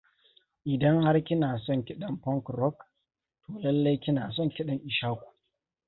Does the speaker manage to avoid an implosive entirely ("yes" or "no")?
no